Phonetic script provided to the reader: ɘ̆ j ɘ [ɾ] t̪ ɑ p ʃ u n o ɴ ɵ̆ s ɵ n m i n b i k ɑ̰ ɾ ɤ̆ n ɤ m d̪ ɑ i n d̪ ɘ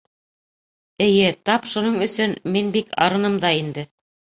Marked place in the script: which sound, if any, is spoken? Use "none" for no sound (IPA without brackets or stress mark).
none